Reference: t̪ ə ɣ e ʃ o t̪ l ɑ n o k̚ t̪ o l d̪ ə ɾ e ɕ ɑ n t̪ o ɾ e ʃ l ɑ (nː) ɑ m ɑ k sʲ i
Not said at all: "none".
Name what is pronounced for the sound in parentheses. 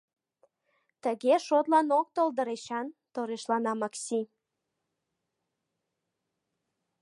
n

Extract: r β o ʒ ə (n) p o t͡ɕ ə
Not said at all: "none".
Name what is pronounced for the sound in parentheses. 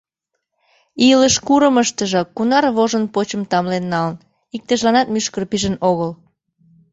n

